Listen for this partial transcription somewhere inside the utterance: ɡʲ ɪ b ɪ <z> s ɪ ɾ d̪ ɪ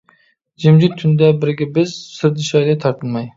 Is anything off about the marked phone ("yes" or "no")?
no